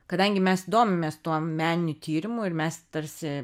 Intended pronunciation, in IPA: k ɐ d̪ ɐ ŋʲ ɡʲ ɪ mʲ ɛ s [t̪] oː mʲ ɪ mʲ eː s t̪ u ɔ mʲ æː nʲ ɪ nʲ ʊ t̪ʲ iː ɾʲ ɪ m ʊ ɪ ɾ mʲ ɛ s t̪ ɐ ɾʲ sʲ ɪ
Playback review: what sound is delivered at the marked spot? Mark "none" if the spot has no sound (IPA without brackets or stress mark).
d̪